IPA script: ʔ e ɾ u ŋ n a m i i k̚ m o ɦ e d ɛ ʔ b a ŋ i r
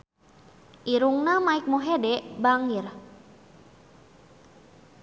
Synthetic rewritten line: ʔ i ɾ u ŋ n a m a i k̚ m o ɦ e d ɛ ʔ b a ŋ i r

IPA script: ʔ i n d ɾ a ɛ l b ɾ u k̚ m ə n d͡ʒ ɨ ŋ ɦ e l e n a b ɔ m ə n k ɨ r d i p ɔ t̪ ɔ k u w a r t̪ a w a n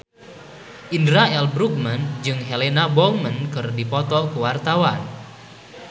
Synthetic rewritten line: ʔ i n d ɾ a ɛ l b ɾ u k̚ m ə n d͡ʒ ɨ ŋ ɦ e l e n a b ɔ m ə n k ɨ r d i p ɔ t̪ ɔ k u w a r t̪ a w a n

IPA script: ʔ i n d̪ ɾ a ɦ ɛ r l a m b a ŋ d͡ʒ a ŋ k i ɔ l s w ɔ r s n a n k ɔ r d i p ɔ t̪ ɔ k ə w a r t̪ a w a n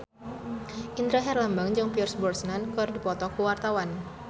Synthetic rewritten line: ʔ i n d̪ ɾ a ɦ ɛ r l a m b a ŋ d͡ʒ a ŋ p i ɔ r s b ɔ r s n a n k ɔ r d i p ɔ t̪ ɔ k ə w a r t̪ a w a n

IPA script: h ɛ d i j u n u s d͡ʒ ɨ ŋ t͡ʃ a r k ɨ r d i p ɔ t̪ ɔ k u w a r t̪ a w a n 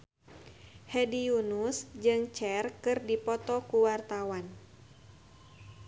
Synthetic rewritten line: h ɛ d i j u n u s d͡ʒ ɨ ŋ t͡ʃ ɛ r k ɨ r d i p ɔ t̪ ɔ k u w a r t̪ a w a n

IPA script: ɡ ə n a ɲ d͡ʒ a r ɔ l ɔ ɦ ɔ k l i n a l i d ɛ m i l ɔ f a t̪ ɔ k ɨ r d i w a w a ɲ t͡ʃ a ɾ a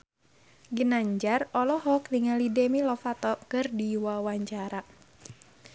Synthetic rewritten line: ɡ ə n a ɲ d͡ʒ a r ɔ l ɔ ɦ ɔ k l i ŋ a l i d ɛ m i l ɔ f a t̪ ɔ k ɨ r d i w a w a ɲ t͡ʃ a ɾ a

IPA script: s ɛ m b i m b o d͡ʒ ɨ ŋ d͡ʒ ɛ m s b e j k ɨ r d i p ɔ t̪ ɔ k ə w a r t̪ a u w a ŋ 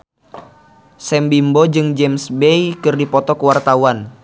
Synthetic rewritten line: s ɛ m b i m b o d͡ʒ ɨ ŋ d͡ʒ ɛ m s b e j k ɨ r d i p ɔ t̪ ɔ k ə w a r t̪ a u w a n

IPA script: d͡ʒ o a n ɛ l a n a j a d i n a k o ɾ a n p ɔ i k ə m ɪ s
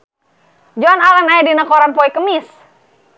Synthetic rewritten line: d͡ʒ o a n a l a n a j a d i n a k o ɾ a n p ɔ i k ə m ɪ s

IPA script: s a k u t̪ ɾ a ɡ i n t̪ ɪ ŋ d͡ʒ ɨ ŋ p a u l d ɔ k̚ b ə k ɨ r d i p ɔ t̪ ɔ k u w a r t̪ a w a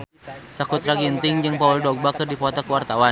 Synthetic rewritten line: s a k u t̪ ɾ a ɡ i n t̪ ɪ ŋ d͡ʒ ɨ ŋ p a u l d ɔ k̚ b a k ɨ r d i p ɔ t̪ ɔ k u w a r t̪ a w a

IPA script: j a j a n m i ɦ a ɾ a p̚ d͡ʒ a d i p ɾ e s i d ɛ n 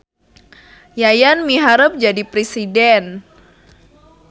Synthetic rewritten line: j a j a n m i ɦ a ɾ ə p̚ d͡ʒ a d i p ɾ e s i d ɛ n

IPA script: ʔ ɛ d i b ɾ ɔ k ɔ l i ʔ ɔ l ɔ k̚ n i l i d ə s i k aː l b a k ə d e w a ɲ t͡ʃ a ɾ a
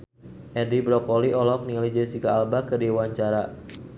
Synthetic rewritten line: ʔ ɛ d i b ɾ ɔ k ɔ l i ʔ ɔ l ɔ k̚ n i l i d͡ʒ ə s i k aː l b a k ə d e w a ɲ t͡ʃ a ɾ a

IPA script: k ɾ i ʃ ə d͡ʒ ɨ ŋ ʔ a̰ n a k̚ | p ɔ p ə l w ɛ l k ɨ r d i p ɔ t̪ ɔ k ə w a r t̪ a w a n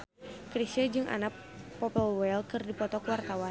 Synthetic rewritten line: k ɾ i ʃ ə d͡ʒ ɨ ŋ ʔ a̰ n a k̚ | p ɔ p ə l w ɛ l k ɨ r d i p ɔ t̪ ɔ k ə w a r t̪ a w a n

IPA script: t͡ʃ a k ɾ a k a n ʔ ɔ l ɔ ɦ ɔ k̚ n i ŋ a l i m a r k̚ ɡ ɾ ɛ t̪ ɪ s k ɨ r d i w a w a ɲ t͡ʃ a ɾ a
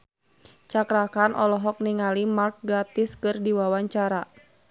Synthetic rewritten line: t͡ʃ a k ɾ a k a n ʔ ɔ l ɔ ɦ ɔ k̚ n i ŋ a l i m a r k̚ ɡ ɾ a t̪ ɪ s k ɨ r d i w a w a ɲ t͡ʃ a ɾ a

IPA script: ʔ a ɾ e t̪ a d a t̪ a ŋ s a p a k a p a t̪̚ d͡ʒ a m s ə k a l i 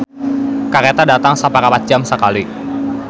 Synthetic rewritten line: k a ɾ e t̪ a d a t̪ a ŋ s a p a k a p a t̪̚ d͡ʒ a m s ə k a l i

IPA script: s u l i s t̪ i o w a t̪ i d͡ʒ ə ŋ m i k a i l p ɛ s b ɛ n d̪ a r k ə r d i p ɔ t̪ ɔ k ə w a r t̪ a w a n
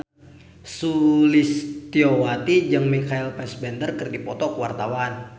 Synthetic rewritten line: s u l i s t̪ i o w a t̪ i d͡ʒ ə ŋ m i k a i l p ɛ s b ɛ n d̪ ə r k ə r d i p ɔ t̪ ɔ k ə w a r t̪ a w a n

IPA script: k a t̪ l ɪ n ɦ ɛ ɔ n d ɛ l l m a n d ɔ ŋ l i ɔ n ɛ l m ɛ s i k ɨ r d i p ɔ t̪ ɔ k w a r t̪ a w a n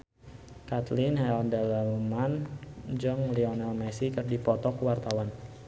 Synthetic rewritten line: k a t̪ l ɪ n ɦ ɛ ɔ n d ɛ l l m a n d͡ʒ ɔ ŋ l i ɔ n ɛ l m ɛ s i k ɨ r d i p ɔ t̪ ɔ k w a r t̪ a w a n

